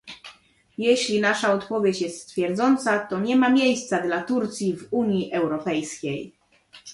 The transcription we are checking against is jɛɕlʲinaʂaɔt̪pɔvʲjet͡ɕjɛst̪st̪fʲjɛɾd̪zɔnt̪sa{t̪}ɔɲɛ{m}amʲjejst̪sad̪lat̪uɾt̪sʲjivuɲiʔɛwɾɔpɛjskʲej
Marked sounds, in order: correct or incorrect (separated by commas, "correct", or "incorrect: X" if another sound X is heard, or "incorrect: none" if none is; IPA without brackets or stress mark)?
correct, correct